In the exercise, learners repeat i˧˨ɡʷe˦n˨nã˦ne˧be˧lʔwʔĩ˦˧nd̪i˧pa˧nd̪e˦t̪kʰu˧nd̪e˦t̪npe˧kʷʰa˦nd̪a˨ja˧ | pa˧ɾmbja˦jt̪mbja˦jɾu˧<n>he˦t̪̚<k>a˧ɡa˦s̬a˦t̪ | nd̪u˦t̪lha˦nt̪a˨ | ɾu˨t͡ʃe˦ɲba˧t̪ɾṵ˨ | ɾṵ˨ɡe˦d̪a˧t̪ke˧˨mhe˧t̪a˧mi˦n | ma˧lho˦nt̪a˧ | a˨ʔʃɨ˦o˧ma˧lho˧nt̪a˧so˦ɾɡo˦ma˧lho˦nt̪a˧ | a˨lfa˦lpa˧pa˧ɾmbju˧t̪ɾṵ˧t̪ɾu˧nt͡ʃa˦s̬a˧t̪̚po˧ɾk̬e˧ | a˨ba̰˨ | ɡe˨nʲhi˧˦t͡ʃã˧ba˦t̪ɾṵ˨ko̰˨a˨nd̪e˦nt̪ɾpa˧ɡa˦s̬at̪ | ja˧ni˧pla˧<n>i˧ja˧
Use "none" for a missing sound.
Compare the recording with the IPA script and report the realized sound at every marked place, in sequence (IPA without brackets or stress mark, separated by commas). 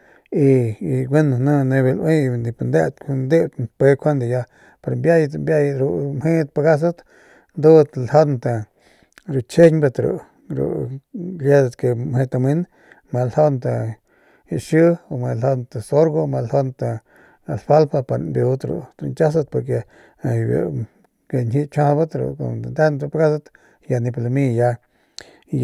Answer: m, p, m